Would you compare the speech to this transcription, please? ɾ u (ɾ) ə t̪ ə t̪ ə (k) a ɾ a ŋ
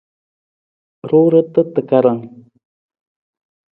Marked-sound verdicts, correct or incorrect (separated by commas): correct, correct